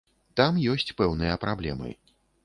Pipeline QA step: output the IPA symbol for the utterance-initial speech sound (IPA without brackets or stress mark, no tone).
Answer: t̪